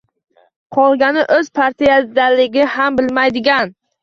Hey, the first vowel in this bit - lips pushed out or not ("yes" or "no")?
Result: yes